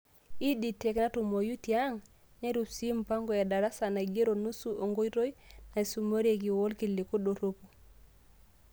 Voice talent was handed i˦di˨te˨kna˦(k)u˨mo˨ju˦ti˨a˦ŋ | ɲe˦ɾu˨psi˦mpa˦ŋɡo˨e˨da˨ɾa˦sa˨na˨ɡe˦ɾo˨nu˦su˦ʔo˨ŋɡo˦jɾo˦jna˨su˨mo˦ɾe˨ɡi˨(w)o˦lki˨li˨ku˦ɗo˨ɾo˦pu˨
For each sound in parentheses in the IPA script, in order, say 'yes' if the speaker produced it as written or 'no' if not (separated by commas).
no, yes